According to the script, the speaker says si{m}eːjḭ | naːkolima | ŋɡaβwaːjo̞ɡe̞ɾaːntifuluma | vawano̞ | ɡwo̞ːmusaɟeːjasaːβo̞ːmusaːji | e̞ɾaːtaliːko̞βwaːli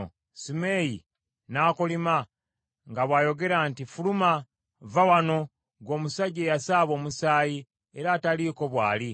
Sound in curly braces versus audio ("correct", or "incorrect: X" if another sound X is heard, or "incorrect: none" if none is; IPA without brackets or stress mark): correct